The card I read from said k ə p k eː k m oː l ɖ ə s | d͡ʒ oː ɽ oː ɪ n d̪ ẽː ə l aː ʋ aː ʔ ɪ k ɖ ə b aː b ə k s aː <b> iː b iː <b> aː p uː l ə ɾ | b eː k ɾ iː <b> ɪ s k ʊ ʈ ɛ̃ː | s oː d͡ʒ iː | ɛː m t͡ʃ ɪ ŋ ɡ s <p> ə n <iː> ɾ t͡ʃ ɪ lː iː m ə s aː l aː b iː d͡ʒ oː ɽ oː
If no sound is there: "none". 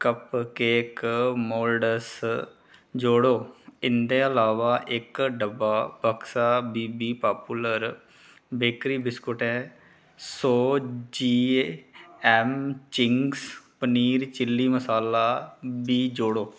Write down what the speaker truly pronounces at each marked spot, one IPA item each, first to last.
b, p, b, p, iː

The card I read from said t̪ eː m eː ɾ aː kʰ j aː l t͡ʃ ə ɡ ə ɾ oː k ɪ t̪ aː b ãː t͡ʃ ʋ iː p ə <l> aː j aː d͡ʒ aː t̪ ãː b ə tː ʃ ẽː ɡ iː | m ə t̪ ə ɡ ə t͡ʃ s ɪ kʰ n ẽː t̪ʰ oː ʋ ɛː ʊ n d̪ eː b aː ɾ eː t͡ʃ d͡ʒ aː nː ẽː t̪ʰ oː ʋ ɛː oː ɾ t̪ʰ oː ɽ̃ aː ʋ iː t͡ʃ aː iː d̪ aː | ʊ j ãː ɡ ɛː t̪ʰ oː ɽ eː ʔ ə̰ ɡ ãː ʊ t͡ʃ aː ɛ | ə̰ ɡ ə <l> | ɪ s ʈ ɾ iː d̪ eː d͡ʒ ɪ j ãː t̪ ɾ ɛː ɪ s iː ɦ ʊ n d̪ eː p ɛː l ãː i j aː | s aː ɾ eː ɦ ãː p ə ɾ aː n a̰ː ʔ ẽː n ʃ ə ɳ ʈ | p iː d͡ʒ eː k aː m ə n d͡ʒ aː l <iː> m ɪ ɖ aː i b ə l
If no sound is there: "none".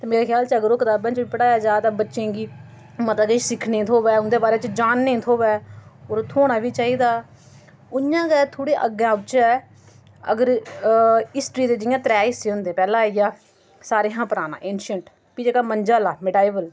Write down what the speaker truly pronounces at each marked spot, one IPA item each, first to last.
ɽ, ɾ, aː

